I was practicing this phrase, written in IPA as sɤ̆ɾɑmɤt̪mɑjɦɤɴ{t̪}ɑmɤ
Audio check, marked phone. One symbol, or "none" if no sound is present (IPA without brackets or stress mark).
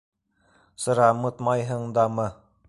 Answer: d̪